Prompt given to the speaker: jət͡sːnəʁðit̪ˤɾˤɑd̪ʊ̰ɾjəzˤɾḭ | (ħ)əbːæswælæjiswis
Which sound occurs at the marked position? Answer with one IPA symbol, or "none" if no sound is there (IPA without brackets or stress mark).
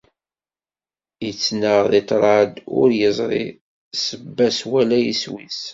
s